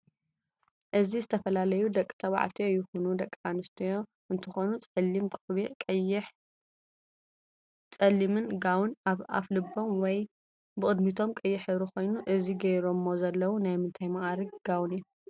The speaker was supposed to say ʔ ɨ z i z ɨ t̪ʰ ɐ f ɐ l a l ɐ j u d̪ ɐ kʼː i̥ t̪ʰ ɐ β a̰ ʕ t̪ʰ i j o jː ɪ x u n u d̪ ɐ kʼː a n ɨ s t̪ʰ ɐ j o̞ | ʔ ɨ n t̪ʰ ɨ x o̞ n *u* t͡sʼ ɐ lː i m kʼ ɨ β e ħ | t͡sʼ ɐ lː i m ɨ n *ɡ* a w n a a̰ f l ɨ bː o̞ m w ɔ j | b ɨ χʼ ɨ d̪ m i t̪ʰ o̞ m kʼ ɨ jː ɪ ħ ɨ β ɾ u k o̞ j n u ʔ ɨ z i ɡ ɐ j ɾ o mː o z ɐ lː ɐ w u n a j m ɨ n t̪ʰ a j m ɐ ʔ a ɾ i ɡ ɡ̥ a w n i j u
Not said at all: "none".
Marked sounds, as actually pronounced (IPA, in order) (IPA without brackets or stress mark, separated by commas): u, ɡ